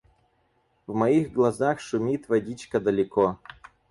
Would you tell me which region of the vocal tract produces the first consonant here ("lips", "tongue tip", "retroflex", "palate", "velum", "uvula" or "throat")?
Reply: lips